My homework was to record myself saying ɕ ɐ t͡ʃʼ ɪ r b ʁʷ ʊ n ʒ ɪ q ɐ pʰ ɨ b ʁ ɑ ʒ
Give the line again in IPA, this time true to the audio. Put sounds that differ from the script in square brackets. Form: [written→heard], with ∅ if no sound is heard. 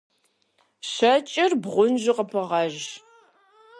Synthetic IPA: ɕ ɐ t͡ʃʼ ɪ r b ʁʷ ʊ n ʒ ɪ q [ɐ→ə] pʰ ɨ [b→∅] ʁ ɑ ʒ